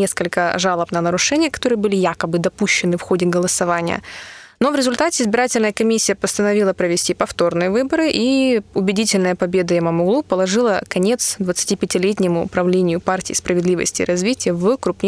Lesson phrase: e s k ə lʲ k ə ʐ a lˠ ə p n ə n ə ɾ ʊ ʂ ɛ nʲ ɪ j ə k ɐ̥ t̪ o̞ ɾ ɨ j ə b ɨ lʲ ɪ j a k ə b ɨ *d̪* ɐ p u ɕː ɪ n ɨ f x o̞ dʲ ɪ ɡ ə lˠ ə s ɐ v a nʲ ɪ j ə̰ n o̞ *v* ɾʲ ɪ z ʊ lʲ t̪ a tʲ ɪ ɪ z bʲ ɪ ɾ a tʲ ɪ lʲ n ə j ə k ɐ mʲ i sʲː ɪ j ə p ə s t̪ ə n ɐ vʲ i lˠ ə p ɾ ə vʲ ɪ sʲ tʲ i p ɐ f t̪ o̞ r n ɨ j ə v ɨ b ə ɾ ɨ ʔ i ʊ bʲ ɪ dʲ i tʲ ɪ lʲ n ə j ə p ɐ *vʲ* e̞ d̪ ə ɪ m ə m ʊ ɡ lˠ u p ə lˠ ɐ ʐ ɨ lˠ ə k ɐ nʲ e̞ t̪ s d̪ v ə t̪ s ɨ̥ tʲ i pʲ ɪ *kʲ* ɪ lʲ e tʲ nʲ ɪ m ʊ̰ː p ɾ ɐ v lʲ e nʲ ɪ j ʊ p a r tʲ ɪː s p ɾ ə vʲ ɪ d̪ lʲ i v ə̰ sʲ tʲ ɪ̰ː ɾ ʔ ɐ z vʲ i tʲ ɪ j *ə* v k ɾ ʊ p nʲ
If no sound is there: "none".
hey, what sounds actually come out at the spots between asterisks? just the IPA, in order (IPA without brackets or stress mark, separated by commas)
d̪, v, bʲ, tʲ, ə